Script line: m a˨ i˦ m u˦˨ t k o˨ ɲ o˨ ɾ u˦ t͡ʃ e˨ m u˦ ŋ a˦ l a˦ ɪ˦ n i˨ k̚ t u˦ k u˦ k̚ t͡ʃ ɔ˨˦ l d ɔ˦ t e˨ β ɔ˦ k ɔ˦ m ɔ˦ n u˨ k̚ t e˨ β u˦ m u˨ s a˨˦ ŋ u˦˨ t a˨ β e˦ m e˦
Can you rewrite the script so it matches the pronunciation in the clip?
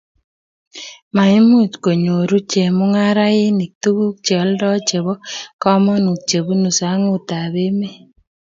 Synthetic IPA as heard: m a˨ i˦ m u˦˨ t k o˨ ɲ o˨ ɾ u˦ t͡ʃ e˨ m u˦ ŋ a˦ ɾ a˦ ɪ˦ n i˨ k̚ t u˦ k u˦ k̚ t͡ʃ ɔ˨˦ l d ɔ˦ t͡ʃ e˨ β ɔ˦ k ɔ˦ m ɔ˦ n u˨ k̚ t͡ʃ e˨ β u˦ n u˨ s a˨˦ ŋ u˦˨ t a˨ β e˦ m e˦